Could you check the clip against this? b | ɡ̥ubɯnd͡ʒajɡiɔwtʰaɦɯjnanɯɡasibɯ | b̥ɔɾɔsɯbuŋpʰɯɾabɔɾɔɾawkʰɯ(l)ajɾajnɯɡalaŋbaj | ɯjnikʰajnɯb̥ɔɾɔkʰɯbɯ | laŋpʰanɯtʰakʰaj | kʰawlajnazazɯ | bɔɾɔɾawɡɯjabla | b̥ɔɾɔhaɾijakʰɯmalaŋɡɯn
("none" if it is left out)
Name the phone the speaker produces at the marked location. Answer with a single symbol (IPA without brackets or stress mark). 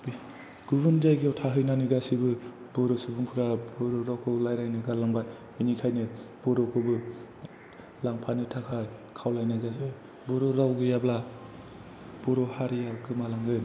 l